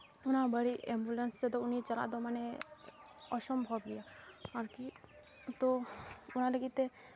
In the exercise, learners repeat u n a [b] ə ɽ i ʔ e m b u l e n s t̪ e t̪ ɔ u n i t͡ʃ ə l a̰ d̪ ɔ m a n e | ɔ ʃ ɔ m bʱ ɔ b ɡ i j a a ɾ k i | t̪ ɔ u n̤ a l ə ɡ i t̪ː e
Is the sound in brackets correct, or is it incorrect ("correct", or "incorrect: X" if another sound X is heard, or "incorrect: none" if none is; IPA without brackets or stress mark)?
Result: correct